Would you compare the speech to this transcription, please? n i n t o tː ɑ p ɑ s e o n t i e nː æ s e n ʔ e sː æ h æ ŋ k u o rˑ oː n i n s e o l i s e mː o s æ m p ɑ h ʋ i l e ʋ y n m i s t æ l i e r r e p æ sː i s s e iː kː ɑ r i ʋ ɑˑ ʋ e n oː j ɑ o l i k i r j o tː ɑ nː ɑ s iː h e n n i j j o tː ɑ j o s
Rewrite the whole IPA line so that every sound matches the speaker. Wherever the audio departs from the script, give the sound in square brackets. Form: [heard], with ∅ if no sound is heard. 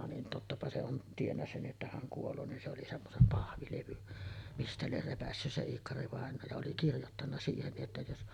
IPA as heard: n i n t o tː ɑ p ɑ s e o n t i e nː æ s e n ʔ e [tː] æ h æ ŋ k u o [lˑ] oː n i n s e o l i s e mː o s [e] m p ɑ h ʋ i l e ʋ y n m i s t æ l i e r r e p æ sː [y] s s e iː kː ɑ r i ʋ ɑˑ [∅] e n oː j ɑ o l i k i r j o tː ɑ nː ɑ s iː h e n n i j j o tː ɑ j o s